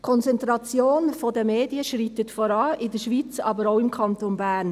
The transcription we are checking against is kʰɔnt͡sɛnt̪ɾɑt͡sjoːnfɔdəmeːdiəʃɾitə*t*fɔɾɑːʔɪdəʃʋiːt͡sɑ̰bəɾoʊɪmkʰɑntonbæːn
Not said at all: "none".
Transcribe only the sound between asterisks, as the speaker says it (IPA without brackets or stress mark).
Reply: t